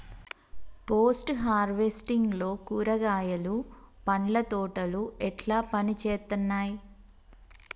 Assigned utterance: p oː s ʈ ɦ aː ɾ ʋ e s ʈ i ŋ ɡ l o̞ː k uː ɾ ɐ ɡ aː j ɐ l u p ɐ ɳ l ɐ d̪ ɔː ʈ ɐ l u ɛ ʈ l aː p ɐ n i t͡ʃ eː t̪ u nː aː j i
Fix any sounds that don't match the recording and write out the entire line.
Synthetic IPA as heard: p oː s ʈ ɦ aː ɾ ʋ e s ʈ i ŋ ɡ l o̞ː k uː ɾ ɐ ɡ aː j ɐ l u p ɐ ɳ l ɐ t̪ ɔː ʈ ɐ l u ɛ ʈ l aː p ɐ n i t͡ʃ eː t̪ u nː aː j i